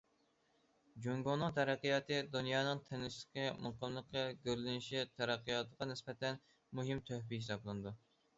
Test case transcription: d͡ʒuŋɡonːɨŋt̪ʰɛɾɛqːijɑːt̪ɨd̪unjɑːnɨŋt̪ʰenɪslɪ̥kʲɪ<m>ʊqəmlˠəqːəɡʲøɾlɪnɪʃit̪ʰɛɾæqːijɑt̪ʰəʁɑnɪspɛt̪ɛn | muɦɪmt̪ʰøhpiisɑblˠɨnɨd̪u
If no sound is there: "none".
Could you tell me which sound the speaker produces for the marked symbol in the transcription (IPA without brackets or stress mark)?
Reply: m